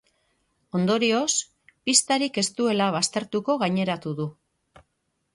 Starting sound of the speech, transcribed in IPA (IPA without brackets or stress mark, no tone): o̞